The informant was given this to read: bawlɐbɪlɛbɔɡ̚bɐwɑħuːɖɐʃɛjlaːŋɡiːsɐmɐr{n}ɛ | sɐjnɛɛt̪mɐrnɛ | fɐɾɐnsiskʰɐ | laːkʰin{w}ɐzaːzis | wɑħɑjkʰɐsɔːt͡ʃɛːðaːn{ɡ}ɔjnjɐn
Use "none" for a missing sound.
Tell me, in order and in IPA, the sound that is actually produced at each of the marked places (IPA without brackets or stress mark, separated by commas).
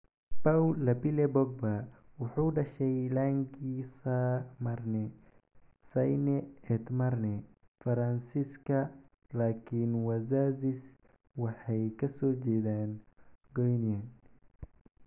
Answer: n, w, ɡ